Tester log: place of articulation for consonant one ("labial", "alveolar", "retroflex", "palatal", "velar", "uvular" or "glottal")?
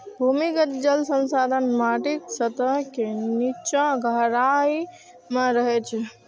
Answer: labial